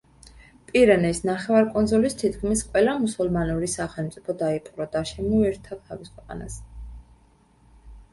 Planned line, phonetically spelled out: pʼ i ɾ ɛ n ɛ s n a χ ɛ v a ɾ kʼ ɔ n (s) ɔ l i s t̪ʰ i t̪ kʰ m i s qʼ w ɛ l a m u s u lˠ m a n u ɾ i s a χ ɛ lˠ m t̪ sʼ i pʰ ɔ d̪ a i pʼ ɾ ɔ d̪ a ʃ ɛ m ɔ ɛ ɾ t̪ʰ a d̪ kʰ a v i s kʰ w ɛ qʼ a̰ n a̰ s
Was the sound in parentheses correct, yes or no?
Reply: no